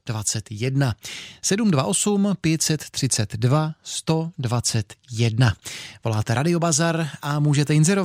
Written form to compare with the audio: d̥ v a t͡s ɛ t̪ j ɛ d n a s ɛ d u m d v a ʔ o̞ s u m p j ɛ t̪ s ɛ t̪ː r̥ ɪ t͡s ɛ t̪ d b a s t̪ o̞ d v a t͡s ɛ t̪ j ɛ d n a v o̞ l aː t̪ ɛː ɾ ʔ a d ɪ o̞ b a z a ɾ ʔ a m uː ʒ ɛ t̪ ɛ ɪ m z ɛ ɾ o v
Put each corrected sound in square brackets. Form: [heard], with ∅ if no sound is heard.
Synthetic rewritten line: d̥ v a t͡s ɛ t̪ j ɛ d n a s ɛ d u m d v a ʔ o̞ s u m p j ɛ t̪ s ɛ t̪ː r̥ ɪ t͡s ɛ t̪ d [v] a s t̪ o̞ d v a t͡s ɛ t̪ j ɛ d n a v o̞ l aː t̪ [ɛ] ɾ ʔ a d ɪ o̞ b a z a ɾ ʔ a m uː ʒ ɛ t̪ ɛ ɪ [n] z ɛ ɾ o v